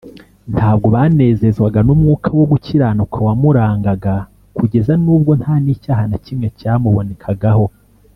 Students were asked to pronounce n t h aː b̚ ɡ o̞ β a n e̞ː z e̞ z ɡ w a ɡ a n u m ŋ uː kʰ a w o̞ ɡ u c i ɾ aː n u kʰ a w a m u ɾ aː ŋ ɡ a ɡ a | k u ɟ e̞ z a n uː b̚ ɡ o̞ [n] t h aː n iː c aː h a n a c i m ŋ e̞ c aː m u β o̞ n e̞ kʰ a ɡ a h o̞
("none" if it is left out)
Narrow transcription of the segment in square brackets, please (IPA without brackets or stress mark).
n